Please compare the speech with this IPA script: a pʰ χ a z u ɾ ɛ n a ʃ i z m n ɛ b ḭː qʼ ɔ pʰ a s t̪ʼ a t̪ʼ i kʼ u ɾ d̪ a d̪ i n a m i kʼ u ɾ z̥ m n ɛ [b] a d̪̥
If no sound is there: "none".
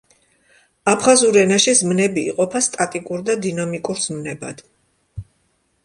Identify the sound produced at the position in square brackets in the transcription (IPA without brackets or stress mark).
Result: b